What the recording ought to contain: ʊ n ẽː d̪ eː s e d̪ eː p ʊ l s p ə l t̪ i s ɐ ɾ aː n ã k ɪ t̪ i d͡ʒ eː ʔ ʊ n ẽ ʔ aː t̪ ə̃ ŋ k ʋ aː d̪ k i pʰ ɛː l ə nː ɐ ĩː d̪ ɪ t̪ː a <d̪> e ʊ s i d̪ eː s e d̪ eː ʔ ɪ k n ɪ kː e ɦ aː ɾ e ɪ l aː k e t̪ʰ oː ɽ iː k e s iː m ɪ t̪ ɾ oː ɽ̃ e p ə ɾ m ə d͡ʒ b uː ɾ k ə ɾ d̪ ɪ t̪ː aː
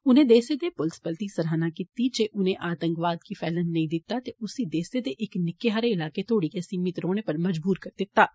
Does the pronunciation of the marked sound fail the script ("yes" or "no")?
yes